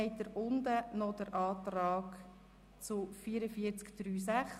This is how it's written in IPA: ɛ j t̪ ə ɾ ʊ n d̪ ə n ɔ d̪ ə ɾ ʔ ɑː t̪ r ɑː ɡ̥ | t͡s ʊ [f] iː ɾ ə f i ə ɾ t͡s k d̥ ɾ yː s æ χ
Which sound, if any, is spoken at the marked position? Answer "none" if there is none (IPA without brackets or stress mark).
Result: f